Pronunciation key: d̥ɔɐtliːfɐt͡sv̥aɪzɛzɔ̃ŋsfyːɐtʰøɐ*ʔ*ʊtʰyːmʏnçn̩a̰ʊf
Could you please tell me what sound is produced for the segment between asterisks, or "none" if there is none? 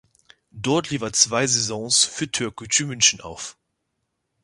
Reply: k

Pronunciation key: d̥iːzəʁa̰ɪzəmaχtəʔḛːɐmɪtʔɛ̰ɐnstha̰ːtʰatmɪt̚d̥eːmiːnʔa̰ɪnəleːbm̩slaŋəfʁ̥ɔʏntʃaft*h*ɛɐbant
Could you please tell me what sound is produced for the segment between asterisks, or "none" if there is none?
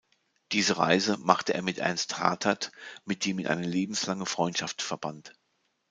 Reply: f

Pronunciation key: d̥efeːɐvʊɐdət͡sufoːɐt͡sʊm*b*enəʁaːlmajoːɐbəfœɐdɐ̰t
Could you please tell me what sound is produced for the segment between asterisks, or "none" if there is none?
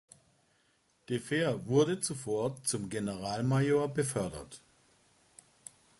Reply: ɡ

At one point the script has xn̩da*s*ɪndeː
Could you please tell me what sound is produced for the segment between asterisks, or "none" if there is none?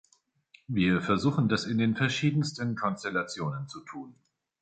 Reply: s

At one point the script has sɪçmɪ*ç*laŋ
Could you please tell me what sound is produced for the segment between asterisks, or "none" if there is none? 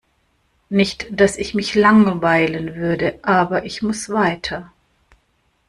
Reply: ç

